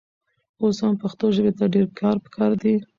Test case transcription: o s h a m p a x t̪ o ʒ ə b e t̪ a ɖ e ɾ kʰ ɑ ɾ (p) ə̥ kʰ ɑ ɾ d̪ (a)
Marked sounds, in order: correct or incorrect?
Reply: correct, incorrect: i

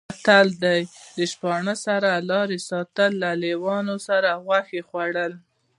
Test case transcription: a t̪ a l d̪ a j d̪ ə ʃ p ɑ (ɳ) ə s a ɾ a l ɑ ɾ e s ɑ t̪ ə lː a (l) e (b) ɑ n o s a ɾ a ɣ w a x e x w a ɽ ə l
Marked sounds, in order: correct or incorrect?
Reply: correct, correct, incorrect: w

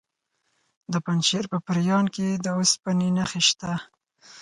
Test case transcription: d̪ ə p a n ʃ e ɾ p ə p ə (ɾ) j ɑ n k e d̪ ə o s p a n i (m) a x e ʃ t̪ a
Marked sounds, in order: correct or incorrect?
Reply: correct, incorrect: n

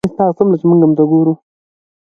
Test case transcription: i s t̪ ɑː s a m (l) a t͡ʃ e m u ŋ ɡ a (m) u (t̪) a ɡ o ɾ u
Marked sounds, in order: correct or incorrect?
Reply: correct, correct, correct

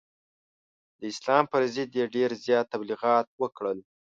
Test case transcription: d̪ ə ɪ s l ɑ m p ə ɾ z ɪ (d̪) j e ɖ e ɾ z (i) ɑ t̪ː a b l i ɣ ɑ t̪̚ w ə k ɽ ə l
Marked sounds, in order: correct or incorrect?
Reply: correct, incorrect: j

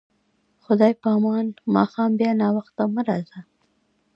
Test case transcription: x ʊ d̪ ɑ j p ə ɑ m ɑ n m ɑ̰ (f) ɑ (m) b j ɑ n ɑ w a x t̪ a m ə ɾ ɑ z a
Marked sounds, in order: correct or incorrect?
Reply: incorrect: x, correct

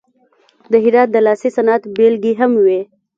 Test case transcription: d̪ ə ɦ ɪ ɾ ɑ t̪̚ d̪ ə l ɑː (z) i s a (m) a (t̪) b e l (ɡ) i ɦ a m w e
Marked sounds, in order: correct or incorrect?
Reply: incorrect: s, incorrect: n, correct, correct

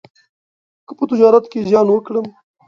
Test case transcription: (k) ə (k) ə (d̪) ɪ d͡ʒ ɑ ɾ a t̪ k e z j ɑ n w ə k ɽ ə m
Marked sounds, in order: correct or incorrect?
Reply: correct, incorrect: p, incorrect: t̪

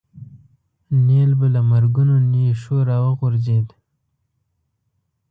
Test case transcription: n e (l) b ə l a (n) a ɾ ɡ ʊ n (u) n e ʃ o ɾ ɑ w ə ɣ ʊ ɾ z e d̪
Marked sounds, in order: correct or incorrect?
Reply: correct, incorrect: m, incorrect: o

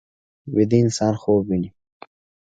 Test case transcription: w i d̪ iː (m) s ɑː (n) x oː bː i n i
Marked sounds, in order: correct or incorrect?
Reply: incorrect: n, correct

